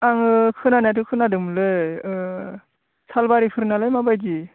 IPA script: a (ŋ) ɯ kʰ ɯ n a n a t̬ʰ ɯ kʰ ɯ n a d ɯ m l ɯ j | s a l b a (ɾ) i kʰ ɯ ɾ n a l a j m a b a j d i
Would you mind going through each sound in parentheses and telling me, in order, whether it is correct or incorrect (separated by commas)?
correct, correct